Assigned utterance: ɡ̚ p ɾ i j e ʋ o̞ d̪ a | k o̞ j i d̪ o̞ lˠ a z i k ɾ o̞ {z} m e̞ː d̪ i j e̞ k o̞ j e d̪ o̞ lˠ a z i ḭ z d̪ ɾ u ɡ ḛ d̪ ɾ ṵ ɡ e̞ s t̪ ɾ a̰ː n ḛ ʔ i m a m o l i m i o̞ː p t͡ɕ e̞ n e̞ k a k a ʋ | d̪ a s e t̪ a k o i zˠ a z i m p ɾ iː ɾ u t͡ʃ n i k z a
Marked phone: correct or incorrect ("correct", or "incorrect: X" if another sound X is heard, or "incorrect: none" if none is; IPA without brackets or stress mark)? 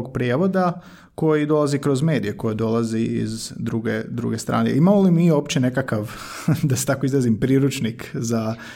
correct